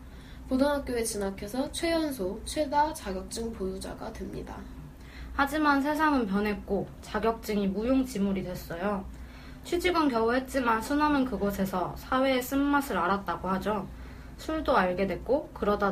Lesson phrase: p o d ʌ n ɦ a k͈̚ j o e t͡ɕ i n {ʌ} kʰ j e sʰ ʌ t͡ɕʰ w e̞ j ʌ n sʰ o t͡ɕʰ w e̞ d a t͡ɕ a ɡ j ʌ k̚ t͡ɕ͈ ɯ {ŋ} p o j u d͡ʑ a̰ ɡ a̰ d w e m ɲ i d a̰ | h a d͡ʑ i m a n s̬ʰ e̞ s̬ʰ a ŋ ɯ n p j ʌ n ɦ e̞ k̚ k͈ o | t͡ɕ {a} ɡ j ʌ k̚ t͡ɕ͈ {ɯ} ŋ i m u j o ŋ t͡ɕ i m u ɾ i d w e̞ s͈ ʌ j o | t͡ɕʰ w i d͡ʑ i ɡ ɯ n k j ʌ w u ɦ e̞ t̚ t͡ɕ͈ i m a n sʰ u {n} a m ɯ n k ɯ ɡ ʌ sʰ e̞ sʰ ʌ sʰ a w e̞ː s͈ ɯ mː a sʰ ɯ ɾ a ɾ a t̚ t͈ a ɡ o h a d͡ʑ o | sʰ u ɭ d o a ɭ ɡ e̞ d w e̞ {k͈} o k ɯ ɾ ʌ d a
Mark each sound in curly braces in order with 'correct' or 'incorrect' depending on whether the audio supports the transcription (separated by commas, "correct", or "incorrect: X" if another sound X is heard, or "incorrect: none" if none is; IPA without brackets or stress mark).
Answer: incorrect: a, correct, correct, correct, correct, correct